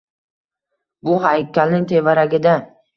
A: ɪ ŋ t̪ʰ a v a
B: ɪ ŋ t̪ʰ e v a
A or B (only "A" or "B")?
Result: B